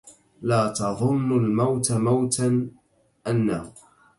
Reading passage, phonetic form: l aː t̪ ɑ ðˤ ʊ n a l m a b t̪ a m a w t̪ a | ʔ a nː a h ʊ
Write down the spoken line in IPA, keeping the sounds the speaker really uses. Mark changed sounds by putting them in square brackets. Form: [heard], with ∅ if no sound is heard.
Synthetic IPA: l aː t̪ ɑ ðˤ ʊ [nː] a l m a [w] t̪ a m a w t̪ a | ʔ a nː a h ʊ